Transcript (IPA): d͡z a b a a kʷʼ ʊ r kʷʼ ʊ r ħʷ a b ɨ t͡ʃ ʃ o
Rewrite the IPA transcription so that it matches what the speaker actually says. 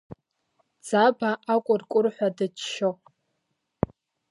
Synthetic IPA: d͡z a b a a kʷʼ ʊ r kʷʼ ʊ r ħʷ a d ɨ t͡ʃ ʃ o